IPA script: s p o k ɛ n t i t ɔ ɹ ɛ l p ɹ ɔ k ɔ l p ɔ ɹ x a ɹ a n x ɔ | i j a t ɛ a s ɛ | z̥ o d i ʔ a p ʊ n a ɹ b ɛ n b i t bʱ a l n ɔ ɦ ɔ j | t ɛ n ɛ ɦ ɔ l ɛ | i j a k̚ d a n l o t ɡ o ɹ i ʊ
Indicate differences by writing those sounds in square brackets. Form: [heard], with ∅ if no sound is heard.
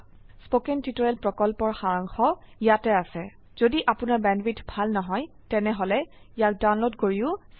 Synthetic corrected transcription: s p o k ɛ n t i t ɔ ɹ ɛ l p ɹ ɔ k ɔ l p ɔ ɹ x a ɹ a [ŋ] x ɔ | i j a t ɛ a s ɛ | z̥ o d i ʔ a p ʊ n a ɹ b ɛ n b i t bʱ a l n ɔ ɦ ɔ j | t ɛ n ɛ ɦ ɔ l ɛ | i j a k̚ d a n l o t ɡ o ɹ i ʊ